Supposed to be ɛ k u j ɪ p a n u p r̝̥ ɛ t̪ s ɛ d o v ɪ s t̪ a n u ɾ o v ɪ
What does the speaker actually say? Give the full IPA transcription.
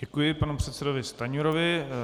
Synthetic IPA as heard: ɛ k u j ɪ p a n u p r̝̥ ɛ t̪ s ɛ d o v ɪ s t̪ a ɲ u ɾ o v ɪ